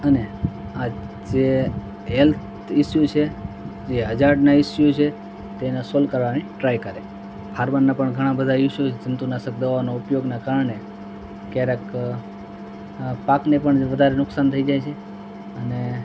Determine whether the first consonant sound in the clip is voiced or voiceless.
voiced